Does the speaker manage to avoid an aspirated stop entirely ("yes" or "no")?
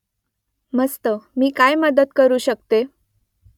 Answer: yes